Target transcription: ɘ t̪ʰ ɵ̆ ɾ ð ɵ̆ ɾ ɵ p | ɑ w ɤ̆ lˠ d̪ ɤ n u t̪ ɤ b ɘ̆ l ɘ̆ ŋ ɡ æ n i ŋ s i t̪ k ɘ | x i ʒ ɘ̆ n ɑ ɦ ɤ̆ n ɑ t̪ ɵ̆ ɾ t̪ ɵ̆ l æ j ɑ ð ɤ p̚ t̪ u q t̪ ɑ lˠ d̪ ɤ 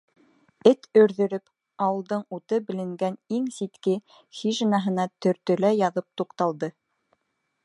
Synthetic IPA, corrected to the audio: ɘ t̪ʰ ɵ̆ ɾ ð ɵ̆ ɾ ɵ p | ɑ w ɤ̆ lˠ d̪ ɤ ɴ u t̪ ɤ b ɘ̆ l ɘ̆ ŋ ɡ æ n i ŋ s i t̪ k ɘ | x i ʒ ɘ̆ n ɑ ɦ ɤ̆ n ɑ t̪ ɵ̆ ɾ t̪ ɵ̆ l æ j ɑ ð ɤ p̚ t̪ u q t̪ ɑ lˠ d̪ ɤ